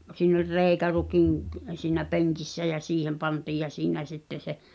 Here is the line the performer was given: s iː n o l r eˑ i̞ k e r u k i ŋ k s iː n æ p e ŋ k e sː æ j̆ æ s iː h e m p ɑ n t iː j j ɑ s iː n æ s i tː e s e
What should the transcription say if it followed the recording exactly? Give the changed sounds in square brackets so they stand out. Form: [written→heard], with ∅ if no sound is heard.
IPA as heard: s iː n o l r eˑ i̞ k [e→æ] r u k i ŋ k s iː n æ p e ŋ k [e→i] sː æ j̆ æ s iː h e m p ɑ n t iː j j ɑ s iː n æ s i tː e s e